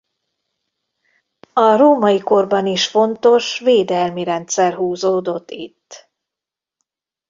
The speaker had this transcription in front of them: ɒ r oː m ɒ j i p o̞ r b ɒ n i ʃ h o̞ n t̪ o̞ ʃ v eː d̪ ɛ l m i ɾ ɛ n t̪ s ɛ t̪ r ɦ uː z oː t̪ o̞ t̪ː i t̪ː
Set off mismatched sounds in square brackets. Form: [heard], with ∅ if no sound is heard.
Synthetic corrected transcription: ɒ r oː m ɒ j i [k] o̞ r b ɒ n i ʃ [f] o̞ n t̪ o̞ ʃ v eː d̪ ɛ l m i ɾ ɛ n t̪ s ɛ [∅] r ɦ uː z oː [d̪] o̞ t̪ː i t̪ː

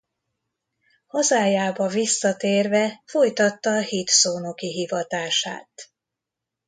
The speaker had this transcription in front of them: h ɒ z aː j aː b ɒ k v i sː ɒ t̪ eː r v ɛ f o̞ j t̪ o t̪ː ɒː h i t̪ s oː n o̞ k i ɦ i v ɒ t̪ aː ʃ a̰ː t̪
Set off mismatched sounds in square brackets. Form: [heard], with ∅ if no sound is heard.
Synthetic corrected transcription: h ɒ z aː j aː b ɒ [∅] v i sː ɒ t̪ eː r v ɛ f o̞ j t̪ [ɒ] t̪ː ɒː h i t̪ s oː n o̞ k i ɦ i v ɒ t̪ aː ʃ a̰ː t̪

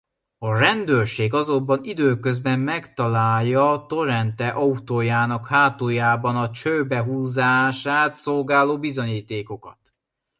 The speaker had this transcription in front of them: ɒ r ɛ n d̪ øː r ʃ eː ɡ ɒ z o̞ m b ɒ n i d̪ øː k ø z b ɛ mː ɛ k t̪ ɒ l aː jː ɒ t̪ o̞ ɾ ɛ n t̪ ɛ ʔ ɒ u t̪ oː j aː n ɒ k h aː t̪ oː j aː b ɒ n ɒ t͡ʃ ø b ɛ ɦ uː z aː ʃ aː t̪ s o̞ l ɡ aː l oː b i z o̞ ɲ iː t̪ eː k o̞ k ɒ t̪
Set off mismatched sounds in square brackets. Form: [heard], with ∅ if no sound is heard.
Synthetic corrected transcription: ɒ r ɛ n d̪ øː r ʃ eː ɡ ɒ z o̞ m b ɒ n i d̪ øː k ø z b ɛ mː ɛ k t̪ ɒ l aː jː ɒ t̪ o̞ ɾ ɛ n t̪ ɛ ʔ ɒ u t̪ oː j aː n ɒ k h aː t̪ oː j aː b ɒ n ɒ t͡ʃ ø b ɛ ɦ uː z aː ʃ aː t̪ s o̞ l ɡ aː l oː b i z o̞ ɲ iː t̪ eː k o̞ k ɒ t̪

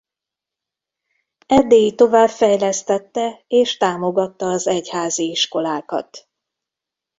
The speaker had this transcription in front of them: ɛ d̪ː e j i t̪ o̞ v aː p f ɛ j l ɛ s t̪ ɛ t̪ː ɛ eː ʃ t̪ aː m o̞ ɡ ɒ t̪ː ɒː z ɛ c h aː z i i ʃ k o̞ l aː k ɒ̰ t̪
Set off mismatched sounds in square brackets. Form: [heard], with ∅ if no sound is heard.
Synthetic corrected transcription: ɛ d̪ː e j i t̪ o̞ v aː [b] f ɛ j l ɛ s t̪ ɛ t̪ː ɛ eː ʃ t̪ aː m o̞ ɡ ɒ t̪ː ɒː z ɛ c h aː z i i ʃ k o̞ l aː k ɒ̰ t̪

